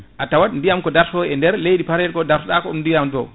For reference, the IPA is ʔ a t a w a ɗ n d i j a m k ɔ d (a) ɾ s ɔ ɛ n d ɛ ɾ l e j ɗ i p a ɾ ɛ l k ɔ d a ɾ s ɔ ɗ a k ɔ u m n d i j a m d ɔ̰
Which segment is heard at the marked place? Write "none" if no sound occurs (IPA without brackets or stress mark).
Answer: a